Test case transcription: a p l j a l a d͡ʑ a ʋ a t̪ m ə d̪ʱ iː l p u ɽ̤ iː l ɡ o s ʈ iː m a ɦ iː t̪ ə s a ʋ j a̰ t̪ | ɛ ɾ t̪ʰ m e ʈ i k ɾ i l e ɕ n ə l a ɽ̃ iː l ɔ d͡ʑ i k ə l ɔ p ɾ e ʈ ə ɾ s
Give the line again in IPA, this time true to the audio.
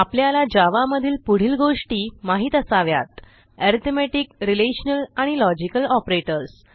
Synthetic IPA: a p l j a l a d͡ʑ a ʋ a m ə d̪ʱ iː l p u ɽ̤ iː l ɡ o ʂ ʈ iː m a ɦ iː t̪ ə s a ʋ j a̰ t̪ | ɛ ɾ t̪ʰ m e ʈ i k ɾ i l e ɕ n ə l a ɽ̃ i l ɔ d͡ʑ i k ə l ɔ p ɾ e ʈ ə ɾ s